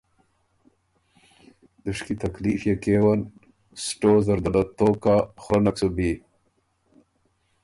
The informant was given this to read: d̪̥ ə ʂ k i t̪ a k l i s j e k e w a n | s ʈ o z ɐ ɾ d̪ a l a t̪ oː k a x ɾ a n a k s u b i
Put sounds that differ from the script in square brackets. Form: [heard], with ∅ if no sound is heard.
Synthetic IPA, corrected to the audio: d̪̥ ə ʂ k i t̪ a k l i [f] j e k e w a n | s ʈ o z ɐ ɾ d̪ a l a t̪ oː k a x ɾ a n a k s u b i